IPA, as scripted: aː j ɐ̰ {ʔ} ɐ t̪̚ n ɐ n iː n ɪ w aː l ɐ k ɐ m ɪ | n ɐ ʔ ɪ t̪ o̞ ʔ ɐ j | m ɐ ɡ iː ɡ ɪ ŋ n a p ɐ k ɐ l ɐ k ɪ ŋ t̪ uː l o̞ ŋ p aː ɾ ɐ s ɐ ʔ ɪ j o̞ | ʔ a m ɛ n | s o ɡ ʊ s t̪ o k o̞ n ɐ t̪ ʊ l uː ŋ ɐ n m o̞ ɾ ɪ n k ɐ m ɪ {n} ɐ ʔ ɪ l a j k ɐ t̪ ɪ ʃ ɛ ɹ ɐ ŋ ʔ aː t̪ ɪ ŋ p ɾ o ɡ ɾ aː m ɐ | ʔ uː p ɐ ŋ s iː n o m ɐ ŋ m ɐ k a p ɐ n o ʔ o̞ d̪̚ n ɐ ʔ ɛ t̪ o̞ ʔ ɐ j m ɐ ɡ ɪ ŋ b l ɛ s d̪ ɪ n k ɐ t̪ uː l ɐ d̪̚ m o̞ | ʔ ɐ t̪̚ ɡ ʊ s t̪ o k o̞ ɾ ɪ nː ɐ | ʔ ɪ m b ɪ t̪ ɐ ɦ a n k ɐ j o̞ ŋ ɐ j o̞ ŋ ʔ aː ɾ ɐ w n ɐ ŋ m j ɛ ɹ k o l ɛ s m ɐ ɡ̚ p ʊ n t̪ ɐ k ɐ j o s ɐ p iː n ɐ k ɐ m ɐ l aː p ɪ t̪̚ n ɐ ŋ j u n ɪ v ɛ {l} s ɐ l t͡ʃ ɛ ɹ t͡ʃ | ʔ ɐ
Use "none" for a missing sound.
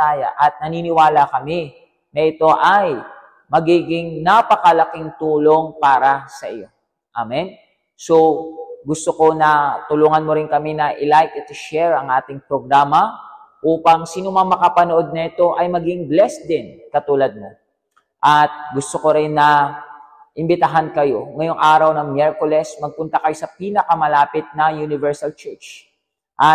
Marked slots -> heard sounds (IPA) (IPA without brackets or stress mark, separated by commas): ʔ, n, ɹ